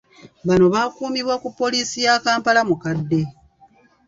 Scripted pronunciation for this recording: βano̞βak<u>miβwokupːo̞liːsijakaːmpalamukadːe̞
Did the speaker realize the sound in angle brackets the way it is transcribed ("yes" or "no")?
no